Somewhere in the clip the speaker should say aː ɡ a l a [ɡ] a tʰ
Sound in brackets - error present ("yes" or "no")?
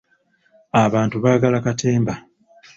yes